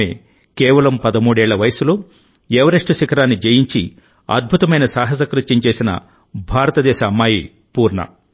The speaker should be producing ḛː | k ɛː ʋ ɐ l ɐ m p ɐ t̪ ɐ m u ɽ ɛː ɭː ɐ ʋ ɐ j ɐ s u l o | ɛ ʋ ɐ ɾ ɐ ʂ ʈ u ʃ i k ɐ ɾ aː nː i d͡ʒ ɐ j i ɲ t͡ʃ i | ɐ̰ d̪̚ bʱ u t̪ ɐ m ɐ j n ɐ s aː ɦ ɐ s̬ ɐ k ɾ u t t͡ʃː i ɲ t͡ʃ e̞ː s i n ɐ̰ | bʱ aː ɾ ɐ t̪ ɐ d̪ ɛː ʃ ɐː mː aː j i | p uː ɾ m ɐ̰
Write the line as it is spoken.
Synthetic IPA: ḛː | k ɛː ʋ ɐ l ɐ m p ɐ d̪ ɐ m uː ɽ ɛː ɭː ɐ ʋ ɐ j ɐ s u l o | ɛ ʋ ɐ ɾ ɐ ʂ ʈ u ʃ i k ɐ ɾ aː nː i d͡ʒ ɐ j i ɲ t͡ʃ i | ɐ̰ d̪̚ bʱ u t̪ ɐ m ɐ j n ɐ s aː ɦ ɐ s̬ ɐ k ɾ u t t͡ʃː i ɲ t͡ʃ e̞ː s i n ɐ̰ | bʱ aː ɾ ɐ t̪ ɐ d̪ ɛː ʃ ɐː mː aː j i | p uː ɾ ɳ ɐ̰